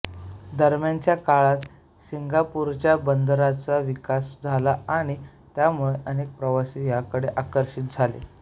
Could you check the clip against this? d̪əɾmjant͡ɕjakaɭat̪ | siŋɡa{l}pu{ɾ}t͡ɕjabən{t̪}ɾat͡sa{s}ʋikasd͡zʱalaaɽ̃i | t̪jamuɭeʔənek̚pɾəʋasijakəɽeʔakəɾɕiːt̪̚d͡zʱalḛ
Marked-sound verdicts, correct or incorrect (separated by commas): incorrect, correct, incorrect, incorrect